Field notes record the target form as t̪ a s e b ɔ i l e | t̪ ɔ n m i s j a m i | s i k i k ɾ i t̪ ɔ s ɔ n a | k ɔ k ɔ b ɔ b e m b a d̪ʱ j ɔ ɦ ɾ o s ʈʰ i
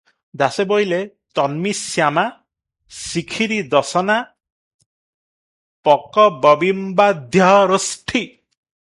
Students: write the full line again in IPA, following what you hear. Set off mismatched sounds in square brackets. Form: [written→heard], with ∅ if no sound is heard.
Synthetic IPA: [t̪→d̪] a s e b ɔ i l e | t̪ ɔ n m i s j a m [i→a] | s i [k→kʰ] i [k→∅] ɾ i [t̪→d̪] ɔ s ɔ n a | [k→p] ɔ k ɔ b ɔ b [e→i] m b a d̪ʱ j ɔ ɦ ɾ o s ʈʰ i